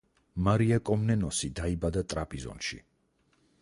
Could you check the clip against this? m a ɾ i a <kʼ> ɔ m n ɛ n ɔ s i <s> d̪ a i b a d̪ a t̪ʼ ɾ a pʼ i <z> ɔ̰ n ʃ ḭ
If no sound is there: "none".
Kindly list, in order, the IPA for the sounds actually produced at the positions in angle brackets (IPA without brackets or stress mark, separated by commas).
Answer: kʼ, none, z